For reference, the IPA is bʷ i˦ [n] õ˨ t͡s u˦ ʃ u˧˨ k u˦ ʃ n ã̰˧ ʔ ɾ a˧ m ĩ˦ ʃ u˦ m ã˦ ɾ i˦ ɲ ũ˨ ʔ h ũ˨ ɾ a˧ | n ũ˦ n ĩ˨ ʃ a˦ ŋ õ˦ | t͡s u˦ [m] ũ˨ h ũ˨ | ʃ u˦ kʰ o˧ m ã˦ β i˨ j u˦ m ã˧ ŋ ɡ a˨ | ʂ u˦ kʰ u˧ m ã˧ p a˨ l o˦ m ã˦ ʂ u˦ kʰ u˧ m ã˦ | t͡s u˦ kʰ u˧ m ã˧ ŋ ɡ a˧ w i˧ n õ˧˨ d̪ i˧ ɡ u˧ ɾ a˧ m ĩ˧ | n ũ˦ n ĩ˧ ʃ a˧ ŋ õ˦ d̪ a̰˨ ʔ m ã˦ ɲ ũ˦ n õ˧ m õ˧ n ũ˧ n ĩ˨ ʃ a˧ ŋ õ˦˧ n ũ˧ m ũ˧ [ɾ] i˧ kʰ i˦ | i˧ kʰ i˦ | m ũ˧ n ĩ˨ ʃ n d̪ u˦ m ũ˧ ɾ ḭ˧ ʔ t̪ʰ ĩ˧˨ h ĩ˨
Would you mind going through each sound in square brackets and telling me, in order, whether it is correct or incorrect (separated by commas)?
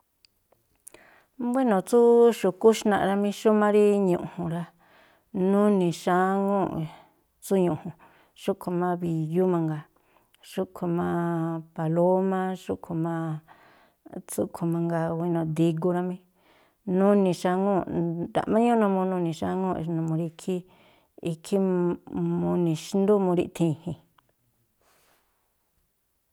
correct, incorrect, correct